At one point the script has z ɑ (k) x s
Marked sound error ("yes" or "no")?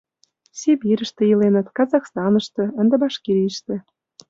yes